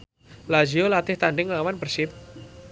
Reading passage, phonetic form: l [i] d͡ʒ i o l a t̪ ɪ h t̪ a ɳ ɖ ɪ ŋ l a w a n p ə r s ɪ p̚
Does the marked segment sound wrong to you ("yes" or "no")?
yes